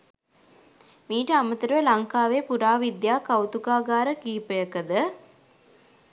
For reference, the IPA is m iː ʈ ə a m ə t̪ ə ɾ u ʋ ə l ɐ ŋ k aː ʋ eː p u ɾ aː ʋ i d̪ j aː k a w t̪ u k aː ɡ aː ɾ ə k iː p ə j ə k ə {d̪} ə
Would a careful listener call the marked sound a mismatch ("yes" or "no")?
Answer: no